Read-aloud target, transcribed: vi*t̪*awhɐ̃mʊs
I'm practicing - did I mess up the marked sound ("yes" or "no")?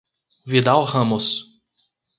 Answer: yes